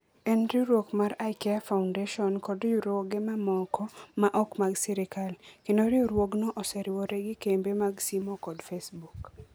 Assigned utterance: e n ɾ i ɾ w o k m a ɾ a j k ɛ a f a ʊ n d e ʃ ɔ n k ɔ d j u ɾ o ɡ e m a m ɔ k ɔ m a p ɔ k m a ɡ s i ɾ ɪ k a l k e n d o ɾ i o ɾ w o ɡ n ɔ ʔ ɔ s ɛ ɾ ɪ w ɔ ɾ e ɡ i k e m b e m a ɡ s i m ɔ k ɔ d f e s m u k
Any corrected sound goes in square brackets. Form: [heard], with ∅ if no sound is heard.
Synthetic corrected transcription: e n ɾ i ɾ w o k m a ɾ a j k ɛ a f a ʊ n d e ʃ ɔ n k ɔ d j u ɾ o ɡ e m a m ɔ k ɔ m a [ʔ] ɔ k m a ɡ s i ɾ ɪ k a l k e n d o ɾ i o ɾ w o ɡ n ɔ ʔ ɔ s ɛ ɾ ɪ w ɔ ɾ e ɡ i k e m b e m a ɡ s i m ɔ k ɔ d f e s [b] u k